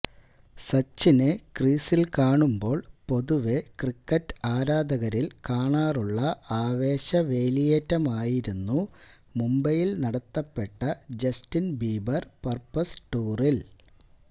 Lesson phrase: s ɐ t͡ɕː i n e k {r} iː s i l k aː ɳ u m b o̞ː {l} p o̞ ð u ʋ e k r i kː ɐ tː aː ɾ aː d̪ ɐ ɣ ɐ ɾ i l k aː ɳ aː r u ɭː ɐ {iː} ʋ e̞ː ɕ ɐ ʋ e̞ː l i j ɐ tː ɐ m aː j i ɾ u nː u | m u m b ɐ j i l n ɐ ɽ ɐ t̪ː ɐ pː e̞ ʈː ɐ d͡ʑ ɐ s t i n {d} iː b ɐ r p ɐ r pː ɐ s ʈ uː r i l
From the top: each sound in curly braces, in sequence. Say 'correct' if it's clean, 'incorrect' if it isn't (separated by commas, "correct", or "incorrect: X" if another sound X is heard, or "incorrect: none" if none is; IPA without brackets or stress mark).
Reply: correct, incorrect: ɭ, incorrect: aː, incorrect: b